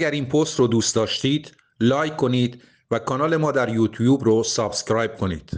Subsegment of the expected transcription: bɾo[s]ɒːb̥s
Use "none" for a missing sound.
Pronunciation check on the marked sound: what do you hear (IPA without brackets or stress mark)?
s